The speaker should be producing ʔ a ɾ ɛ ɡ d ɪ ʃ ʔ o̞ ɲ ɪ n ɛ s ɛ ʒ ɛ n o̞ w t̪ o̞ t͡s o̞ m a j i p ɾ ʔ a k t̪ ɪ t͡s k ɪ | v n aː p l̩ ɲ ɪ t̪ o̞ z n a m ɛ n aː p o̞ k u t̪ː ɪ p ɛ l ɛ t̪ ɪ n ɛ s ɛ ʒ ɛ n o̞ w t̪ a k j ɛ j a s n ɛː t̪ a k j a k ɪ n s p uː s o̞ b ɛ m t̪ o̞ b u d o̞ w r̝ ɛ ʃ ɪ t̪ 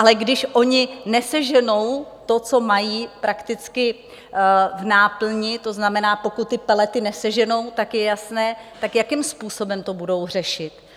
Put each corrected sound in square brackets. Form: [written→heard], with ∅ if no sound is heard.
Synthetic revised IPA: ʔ a [ɾ→l] ɛ ɡ d ɪ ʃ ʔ o̞ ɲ ɪ n ɛ s ɛ ʒ ɛ n o̞ w t̪ o̞ t͡s o̞ m a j [i→iː] p ɾ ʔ a k t̪ ɪ t͡s k ɪ | v n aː p l̩ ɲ ɪ t̪ o̞ z n a m ɛ n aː p o̞ k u t̪ː ɪ p ɛ l ɛ t̪ ɪ n ɛ s ɛ ʒ ɛ n o̞ w t̪ a k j ɛ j a s n ɛː t̪ a k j a k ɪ [n→m] s p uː s o̞ b ɛ m t̪ o̞ b u d o̞ w r̝ ɛ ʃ ɪ t̪